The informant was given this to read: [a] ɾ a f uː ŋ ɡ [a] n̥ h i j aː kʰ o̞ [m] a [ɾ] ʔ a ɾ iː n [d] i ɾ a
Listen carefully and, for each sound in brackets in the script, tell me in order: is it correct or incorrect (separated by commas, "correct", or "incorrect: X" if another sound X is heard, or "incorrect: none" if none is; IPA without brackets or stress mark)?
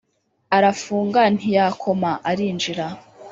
correct, correct, correct, incorrect: none, incorrect: d͡ʒ